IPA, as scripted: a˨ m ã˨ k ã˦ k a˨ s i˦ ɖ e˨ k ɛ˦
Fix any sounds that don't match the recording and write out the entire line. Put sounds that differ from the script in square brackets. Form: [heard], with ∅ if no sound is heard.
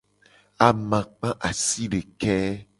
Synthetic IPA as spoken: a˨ m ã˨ [k͡p] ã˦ [ʔ] a˨ s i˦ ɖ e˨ k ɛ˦